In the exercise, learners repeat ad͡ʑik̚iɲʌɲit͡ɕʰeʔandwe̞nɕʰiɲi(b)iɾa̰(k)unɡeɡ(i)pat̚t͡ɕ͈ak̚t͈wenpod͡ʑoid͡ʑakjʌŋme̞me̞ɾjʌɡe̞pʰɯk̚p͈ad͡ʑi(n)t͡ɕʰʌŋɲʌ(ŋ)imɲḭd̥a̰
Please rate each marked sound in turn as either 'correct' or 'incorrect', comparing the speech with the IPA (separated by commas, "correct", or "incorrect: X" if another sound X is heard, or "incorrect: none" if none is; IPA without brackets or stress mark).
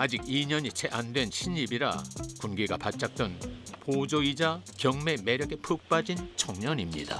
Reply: correct, correct, incorrect: a, correct, incorrect: ɲ